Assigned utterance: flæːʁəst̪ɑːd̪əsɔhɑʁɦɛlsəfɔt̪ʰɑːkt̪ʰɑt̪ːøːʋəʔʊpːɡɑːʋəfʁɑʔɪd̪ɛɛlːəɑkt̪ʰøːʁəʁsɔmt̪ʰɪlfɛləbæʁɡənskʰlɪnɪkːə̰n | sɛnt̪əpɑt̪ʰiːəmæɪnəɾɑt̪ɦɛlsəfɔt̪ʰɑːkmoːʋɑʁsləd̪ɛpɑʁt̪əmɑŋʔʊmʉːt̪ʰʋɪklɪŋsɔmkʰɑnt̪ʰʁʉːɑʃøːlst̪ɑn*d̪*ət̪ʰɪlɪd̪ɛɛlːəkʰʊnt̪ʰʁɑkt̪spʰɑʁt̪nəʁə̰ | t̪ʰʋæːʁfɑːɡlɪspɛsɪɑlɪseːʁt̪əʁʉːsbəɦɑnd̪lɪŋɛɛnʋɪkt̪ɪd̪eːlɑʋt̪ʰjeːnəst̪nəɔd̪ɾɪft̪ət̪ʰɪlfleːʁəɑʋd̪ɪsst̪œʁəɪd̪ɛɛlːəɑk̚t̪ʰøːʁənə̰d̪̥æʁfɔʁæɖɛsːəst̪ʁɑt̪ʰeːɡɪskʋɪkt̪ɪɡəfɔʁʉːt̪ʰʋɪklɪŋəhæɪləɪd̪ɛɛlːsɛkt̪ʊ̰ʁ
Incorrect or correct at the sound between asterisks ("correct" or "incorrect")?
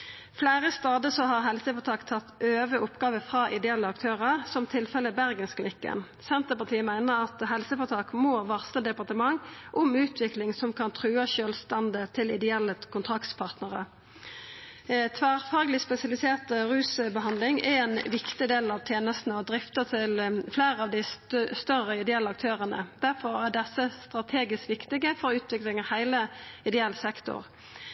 correct